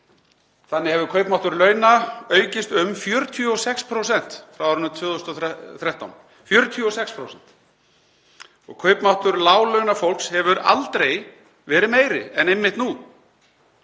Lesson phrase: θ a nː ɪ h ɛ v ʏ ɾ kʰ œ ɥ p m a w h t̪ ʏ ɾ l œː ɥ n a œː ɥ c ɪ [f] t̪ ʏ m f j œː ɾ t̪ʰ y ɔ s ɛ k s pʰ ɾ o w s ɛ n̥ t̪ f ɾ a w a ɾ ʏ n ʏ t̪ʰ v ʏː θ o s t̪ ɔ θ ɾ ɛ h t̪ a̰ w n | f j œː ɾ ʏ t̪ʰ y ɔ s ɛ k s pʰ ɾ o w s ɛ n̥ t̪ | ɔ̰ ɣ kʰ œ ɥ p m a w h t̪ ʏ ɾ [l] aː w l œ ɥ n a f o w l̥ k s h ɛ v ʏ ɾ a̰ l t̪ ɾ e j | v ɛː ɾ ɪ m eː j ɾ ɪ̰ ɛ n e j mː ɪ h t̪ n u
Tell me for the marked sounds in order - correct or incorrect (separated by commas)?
incorrect, correct